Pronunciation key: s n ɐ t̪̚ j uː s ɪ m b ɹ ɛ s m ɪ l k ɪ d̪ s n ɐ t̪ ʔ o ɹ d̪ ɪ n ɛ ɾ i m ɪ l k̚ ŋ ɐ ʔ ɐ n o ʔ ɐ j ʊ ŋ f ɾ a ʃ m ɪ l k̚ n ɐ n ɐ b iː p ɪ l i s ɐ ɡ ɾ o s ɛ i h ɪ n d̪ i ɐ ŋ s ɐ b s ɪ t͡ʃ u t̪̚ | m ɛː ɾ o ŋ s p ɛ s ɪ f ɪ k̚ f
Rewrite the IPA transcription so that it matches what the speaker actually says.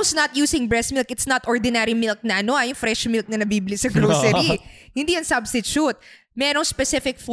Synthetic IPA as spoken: s n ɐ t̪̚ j uː s ɪ ŋ b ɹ ɛ s m ɪ l k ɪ t̪ s n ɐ t̪ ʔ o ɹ d̪ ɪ n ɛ ɾ i m ɪ l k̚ n ɐ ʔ ɐ n o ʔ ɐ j ʊ ŋ f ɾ ɛ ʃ m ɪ l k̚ n ɐ n ɐ b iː b ɪ l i s ɐ ɡ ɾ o s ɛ i h ɪ n d̪ i ɐ ŋ s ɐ b s ɪ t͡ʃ u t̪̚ | m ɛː ɾ o ŋ s p ɛ s ɪ f ɪ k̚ f